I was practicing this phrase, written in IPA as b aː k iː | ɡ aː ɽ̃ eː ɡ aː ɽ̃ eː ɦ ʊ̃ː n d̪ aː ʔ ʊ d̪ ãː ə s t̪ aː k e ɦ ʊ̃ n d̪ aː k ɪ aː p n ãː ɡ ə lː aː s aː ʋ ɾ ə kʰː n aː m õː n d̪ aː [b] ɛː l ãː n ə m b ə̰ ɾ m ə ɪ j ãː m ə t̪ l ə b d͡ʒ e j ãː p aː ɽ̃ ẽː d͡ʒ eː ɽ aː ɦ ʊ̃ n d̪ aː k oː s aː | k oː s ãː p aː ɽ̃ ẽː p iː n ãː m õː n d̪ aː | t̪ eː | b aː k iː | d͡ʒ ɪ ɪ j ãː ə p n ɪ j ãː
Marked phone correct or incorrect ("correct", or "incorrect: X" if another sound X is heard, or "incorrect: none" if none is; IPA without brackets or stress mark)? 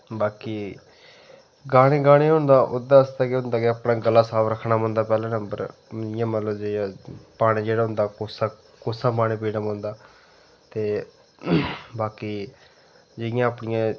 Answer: incorrect: p